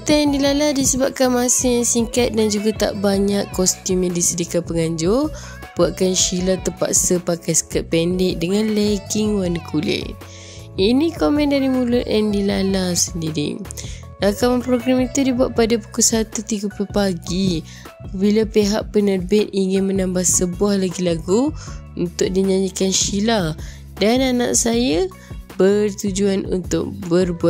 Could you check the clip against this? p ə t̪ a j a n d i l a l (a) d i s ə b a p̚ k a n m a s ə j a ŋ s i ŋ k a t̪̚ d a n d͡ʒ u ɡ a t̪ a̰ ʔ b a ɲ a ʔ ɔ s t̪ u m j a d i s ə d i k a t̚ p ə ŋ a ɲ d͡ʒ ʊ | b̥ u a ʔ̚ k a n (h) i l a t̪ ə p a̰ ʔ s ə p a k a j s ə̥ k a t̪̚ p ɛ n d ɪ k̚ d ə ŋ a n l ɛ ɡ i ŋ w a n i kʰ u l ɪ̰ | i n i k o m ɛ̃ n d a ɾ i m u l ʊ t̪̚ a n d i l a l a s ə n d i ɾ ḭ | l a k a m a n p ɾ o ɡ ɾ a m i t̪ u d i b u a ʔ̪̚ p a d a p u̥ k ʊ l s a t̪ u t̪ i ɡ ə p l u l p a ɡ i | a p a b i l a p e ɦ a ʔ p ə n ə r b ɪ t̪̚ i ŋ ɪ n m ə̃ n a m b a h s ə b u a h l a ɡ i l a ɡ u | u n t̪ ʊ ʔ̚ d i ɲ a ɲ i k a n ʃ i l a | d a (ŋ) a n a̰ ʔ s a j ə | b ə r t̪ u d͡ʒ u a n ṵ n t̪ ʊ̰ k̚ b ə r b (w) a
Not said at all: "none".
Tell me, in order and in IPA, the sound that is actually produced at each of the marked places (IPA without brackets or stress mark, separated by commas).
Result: a, ʃ, n, u